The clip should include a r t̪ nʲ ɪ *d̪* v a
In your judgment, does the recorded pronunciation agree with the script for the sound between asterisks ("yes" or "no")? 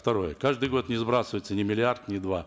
yes